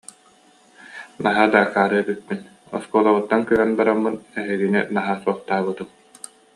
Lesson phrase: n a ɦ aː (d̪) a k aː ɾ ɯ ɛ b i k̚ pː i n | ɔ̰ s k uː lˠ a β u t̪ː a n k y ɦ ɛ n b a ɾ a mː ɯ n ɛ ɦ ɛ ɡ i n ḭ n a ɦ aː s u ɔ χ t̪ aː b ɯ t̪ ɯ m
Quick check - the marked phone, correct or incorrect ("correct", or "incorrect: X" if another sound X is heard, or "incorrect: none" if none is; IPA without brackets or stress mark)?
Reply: correct